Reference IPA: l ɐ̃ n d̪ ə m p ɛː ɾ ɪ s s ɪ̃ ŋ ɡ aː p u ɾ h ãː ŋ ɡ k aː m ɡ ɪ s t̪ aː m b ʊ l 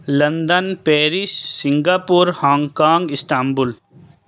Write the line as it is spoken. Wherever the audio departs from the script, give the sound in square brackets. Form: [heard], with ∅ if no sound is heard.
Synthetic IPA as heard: l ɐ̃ n d̪ ə [n] p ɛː ɾ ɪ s s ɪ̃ ŋ ɡ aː p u ɾ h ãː ŋ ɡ k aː [ŋ] ɡ ɪ s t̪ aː m b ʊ l

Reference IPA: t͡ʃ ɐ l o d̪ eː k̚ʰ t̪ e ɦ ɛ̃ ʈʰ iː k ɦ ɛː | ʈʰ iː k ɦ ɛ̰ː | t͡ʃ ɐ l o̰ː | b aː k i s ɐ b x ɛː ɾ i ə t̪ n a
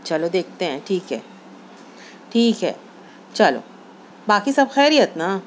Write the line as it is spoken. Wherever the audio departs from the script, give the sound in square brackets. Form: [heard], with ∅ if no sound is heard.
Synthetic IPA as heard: t͡ʃ ɐ l o d̪ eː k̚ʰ t̪ e ɦ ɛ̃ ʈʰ iː k ɦ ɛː | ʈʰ iː k ɦ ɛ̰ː | t͡ʃ ɐ l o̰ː | b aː k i s ɐ b x ɛː ɾ i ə t̪ n a

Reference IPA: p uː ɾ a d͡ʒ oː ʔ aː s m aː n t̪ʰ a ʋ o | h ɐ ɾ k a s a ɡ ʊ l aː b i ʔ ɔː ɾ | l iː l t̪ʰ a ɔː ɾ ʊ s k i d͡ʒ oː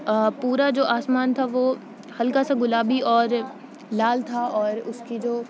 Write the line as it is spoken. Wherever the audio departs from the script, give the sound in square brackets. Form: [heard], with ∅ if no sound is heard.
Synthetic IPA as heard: p uː ɾ a d͡ʒ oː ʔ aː s m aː n t̪ʰ a ʋ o | h ɐ [l] k a s a ɡ ʊ l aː b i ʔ ɔː ɾ | l [aː] l t̪ʰ a ɔː ɾ ʊ s k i d͡ʒ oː

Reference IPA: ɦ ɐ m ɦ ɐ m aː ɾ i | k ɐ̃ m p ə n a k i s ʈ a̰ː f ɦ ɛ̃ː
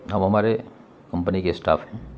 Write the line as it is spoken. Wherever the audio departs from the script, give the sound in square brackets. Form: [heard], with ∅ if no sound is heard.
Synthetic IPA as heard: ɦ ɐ m ɦ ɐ m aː ɾ [e] | k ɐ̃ m p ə n [i] k [e] s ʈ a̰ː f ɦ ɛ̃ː

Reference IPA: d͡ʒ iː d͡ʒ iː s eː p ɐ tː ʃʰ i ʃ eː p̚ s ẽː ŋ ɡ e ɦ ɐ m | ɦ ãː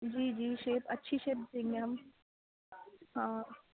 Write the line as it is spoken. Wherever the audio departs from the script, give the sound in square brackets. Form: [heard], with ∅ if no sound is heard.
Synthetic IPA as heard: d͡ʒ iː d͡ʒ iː [ʃ] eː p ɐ tː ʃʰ i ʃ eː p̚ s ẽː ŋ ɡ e ɦ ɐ m | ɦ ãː

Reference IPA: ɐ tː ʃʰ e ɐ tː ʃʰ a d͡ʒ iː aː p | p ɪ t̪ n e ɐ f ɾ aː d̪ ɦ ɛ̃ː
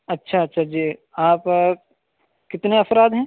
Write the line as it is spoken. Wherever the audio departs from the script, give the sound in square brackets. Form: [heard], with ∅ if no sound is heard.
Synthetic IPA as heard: ɐ tː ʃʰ [a] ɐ tː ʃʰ a d͡ʒ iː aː p | [k] ɪ t̪ n e ɐ f ɾ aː d̪ ɦ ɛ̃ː

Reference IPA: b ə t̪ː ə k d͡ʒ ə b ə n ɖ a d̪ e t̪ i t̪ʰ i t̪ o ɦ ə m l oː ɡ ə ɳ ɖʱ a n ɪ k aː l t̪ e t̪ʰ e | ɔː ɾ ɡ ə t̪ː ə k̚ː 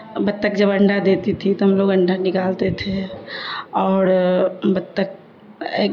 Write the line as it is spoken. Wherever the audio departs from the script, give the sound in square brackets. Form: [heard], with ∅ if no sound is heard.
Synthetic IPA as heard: b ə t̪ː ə k d͡ʒ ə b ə [ɳ] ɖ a d̪ e t̪ i t̪ʰ i t̪ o ɦ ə m l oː ɡ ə ɳ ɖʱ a n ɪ k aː l t̪ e t̪ʰ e | ɔː ɾ [b] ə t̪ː ə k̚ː

